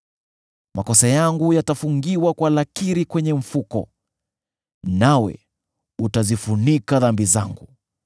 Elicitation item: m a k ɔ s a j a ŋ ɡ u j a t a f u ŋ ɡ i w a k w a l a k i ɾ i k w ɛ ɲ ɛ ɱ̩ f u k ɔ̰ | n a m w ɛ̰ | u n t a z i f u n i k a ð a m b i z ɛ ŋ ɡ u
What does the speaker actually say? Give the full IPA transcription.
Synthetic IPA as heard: m a k ɔ s a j a ŋ ɡ u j a t a f u ŋ ɡ i w a k w a l a k i ɾ i k w ɛ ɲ ɛ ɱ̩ f u k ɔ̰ | n a w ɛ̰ | u t a z i f u n i k a ð a m b i z a ŋ ɡ u